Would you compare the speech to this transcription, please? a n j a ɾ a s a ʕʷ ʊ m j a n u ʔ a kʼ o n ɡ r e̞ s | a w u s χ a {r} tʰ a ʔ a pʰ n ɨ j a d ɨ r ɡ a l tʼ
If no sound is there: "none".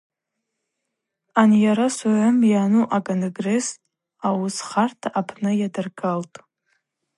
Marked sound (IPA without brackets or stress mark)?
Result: r